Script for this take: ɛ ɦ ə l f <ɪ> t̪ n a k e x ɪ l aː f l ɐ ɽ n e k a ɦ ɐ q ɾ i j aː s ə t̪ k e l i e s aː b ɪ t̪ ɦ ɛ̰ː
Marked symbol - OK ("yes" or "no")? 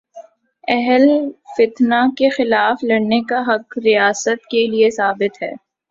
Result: yes